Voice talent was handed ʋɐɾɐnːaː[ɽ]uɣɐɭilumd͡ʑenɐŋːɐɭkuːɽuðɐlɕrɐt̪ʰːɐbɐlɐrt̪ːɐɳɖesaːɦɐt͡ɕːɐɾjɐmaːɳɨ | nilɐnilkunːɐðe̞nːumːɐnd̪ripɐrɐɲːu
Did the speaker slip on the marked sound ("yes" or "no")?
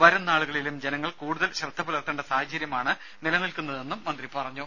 yes